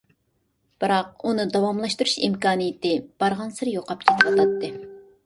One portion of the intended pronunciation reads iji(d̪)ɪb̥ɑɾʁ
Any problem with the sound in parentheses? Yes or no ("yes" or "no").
yes